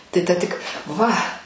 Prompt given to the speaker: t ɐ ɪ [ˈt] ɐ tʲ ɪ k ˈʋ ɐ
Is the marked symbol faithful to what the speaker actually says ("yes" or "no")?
yes